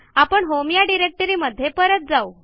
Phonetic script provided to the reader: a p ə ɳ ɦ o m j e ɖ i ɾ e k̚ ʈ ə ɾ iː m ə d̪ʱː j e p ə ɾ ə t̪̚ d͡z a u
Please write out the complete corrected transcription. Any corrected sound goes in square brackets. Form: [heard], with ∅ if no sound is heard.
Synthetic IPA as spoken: a p ə ɳ ɦ o m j [a] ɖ i ɾ e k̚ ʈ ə ɾ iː m ə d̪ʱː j e p ə ɾ ə t̪̚ d͡z a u